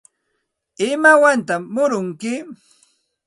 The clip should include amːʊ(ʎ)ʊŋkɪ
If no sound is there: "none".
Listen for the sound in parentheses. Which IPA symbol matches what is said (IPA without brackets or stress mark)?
ɾ